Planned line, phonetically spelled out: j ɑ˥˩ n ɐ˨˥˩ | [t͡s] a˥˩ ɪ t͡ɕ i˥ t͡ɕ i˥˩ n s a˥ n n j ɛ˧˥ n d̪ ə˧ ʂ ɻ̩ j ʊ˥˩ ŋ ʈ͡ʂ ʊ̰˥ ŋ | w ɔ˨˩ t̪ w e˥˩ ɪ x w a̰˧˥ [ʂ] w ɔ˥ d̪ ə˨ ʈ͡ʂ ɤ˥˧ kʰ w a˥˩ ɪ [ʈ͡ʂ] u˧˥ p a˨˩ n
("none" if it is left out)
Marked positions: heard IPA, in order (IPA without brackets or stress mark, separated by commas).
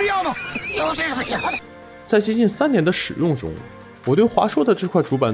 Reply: t͡s, ʂ, ʈ͡ʂ